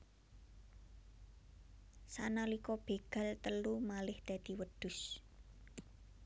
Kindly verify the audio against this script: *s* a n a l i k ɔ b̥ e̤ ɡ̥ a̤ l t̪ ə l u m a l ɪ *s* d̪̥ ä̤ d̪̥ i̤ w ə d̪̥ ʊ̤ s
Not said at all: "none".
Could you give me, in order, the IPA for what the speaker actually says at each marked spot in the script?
s, h

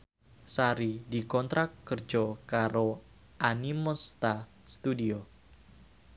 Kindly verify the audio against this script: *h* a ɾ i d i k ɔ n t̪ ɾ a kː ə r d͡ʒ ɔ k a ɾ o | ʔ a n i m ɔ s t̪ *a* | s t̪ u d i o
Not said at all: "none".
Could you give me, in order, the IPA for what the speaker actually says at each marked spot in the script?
s, a

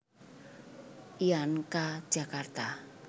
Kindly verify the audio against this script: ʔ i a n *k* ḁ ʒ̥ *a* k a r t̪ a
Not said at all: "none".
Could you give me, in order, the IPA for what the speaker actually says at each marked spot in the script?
k, a

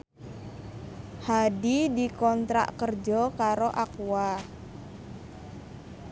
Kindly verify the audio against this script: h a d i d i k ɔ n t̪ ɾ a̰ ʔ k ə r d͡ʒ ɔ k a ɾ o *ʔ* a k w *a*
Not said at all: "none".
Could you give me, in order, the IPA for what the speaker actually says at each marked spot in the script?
ʔ, a

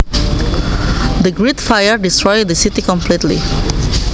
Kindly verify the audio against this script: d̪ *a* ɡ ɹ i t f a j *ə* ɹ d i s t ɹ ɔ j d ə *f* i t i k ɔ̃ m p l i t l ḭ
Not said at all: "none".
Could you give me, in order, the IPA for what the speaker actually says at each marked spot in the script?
ə, ə, s

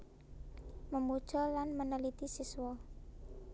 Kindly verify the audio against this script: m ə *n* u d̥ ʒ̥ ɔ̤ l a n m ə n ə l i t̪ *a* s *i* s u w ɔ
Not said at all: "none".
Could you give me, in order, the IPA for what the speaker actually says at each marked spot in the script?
m, i, i

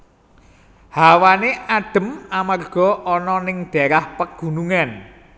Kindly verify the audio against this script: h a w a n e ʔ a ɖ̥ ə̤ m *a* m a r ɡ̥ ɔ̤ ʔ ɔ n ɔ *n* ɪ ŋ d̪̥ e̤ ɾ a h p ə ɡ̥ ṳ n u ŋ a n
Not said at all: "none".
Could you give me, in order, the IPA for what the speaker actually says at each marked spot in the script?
a, n

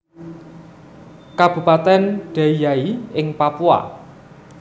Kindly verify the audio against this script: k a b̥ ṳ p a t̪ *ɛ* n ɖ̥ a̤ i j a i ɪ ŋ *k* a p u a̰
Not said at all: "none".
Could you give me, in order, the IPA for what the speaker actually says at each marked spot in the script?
ɛ, p

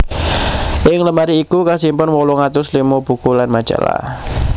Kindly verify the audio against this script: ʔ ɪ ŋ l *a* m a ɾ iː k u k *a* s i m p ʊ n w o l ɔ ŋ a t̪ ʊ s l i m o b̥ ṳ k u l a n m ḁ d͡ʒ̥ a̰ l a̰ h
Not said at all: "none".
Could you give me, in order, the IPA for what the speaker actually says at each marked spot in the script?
ə, a

